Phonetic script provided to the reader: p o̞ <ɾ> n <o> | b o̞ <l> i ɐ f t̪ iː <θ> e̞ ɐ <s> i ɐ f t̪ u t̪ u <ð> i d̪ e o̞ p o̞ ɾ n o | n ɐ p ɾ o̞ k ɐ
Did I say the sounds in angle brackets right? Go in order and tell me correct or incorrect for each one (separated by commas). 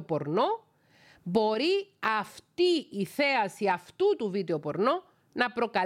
correct, correct, incorrect, correct, correct, incorrect